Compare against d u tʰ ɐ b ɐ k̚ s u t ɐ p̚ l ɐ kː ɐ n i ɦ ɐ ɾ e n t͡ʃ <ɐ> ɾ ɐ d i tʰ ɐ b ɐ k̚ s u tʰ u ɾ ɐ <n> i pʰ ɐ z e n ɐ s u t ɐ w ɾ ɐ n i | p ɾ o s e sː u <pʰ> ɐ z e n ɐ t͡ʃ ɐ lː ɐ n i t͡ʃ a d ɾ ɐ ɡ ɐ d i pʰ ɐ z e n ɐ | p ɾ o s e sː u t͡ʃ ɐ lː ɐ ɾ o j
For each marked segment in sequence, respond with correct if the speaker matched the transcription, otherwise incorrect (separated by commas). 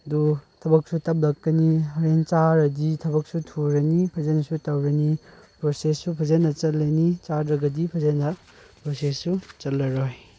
incorrect, correct, correct